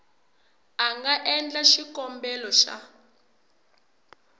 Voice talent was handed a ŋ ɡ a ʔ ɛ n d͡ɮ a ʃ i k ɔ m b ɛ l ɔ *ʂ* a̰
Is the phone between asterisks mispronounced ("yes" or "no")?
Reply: yes